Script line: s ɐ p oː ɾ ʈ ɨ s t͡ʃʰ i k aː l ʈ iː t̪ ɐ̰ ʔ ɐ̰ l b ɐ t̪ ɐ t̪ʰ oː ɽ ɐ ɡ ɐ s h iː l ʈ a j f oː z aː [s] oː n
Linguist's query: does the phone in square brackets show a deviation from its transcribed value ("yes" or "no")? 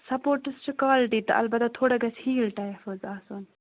no